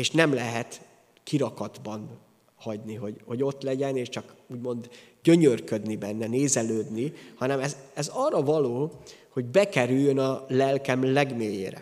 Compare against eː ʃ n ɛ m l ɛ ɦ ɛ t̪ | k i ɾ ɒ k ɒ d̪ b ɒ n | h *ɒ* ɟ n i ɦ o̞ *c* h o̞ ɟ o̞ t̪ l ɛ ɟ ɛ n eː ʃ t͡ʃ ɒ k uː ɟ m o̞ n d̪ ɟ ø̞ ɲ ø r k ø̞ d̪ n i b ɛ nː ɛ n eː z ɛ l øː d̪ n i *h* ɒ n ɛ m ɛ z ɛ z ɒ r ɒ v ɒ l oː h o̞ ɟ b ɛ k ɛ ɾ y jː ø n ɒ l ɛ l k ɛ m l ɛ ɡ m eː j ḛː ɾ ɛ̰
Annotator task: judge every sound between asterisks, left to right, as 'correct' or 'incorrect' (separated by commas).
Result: correct, incorrect, correct